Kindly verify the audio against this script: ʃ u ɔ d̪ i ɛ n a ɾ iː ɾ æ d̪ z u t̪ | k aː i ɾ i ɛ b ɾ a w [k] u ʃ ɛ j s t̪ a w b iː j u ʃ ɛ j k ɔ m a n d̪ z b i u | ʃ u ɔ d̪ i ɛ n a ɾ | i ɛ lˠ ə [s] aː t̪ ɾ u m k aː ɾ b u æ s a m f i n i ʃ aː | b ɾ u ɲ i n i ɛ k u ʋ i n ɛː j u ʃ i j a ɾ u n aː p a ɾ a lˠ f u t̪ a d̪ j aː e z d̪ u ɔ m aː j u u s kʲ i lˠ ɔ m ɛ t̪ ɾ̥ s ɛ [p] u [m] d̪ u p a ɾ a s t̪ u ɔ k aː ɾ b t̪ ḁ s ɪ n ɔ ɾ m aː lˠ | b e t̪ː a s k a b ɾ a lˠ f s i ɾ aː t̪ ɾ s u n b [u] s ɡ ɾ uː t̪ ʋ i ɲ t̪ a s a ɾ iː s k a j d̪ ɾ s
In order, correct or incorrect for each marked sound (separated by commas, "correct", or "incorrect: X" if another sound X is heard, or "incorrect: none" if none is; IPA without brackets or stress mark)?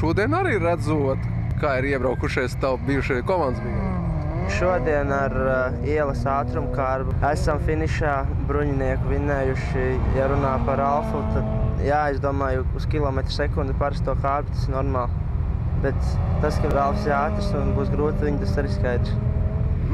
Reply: correct, correct, incorrect: k, incorrect: n, incorrect: uː